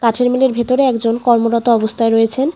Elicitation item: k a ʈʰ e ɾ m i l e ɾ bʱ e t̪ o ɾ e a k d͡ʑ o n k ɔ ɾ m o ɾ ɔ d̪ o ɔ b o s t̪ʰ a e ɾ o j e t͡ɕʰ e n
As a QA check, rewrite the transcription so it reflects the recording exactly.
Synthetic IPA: k a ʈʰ e ɾ m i l e ɾ bʱ e t̪ o ɾ e ɛ k d͡ʑ o n k ɔ ɾ m o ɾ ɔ t̪ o ɔ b o s t̪ʰ a e ɾ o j e t͡ɕʰ e n